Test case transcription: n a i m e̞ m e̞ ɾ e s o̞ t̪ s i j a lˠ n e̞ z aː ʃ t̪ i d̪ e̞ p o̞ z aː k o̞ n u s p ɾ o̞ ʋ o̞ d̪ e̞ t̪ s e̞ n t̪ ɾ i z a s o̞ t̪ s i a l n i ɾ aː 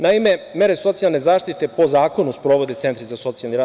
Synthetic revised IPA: n a i m e̞ m e̞ ɾ e s o̞ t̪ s i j a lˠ n e̞ z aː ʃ t̪ i t̪ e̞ p o̞ z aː k o̞ n u s p ɾ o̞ ʋ o̞ d̪ e̞ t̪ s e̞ n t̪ ɾ i z a s o̞ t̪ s i a l n i ɾ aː